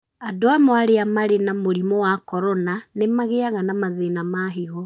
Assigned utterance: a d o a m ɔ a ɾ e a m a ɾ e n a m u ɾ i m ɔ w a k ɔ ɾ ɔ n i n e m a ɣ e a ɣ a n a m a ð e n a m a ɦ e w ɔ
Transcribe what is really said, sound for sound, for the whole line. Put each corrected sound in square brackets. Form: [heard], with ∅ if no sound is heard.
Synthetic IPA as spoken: a d o a m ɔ a ɾ e a m a ɾ e n a m [o] ɾ i m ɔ w a k ɔ ɾ ɔ n [a] n e m a ɣ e a ɣ a n a m a ð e n a m a ɦ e [ɣ] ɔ